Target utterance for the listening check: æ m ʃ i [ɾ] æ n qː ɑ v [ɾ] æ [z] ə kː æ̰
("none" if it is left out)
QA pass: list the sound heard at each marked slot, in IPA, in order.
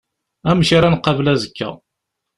ɾ, l, z

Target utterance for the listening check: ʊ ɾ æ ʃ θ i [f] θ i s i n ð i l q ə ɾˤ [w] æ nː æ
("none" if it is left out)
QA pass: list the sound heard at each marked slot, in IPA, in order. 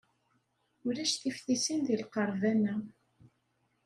f, v

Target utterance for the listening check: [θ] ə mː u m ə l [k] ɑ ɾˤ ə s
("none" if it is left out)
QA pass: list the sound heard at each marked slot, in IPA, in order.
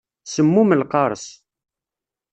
s, q

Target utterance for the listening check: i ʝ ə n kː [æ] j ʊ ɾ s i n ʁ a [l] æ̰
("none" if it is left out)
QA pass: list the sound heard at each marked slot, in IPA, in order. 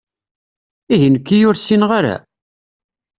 i, ɾ

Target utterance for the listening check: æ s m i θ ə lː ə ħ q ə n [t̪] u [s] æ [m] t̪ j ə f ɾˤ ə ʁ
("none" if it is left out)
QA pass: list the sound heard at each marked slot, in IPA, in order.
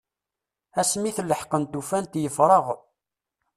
t̪, f, n

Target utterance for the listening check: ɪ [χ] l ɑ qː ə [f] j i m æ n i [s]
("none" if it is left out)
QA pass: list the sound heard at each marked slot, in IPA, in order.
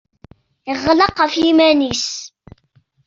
ʁ, f, s

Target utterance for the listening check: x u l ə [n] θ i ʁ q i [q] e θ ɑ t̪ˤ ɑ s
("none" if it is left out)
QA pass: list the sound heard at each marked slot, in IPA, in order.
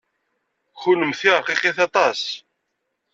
m, q

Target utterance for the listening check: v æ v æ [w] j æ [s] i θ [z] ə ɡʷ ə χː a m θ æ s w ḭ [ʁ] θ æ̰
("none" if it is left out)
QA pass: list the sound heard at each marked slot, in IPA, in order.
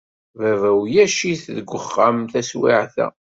w, ʃ, ð, ʕ

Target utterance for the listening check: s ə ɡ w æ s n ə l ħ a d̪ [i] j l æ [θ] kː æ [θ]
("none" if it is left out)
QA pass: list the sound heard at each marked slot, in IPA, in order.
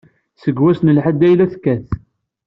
æ, θ, θ

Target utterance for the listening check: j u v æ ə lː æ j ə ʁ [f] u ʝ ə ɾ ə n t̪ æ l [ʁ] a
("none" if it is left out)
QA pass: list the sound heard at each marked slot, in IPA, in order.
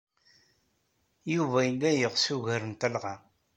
s, ʁ

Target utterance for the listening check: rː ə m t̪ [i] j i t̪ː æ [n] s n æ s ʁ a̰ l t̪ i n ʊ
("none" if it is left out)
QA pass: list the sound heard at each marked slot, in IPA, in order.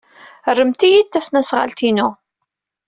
i, none

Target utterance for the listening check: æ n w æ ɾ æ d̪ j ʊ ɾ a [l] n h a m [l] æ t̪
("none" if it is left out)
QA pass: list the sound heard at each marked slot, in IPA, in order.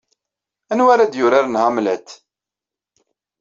ɾ, l

